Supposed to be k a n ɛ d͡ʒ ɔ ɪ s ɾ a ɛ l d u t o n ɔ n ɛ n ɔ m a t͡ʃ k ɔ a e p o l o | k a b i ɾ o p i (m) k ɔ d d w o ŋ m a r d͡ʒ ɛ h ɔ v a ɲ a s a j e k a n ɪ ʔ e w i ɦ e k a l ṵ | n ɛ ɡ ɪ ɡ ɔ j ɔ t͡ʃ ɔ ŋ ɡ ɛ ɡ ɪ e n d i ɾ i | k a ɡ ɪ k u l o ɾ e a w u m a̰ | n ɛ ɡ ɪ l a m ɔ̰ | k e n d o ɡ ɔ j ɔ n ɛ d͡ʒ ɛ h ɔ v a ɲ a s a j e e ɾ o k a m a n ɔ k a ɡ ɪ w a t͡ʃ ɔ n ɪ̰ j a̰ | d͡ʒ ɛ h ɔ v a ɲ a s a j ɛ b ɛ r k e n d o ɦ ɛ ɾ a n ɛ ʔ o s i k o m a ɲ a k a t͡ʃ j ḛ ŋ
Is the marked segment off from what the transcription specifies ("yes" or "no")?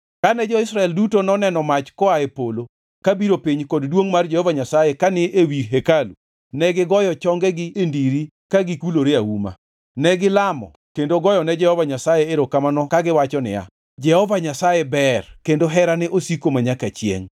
yes